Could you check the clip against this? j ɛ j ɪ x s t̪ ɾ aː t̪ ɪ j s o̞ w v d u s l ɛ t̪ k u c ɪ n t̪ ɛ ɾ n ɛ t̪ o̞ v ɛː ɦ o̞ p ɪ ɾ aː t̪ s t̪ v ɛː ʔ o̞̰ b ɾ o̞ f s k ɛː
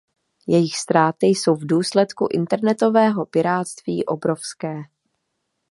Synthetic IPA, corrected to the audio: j ɛ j ɪ x s t̪ ɾ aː t̪ ɪ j s o̞ w v d uː s l ɛ t̪ k u ʔ ɪ n t̪ ɛ ɾ n ɛ t̪ o̞ v ɛː ɦ o̞ p ɪ ɾ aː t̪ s t̪ v iː ʔ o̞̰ b ɾ o̞ f s k ɛː